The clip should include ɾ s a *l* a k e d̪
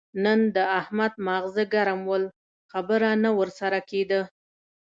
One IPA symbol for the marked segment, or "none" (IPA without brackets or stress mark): ɾ